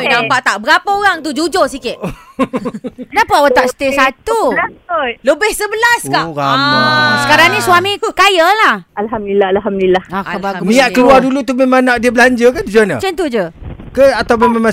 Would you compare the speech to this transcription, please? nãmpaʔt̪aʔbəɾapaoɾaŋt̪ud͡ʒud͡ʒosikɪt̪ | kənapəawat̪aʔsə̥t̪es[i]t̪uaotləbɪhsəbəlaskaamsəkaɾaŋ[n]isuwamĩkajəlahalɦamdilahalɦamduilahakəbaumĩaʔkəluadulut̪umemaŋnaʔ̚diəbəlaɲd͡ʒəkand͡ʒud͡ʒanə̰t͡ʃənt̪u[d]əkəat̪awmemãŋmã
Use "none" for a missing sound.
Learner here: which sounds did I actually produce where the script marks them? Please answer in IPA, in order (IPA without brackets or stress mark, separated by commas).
a, n, d͡ʒ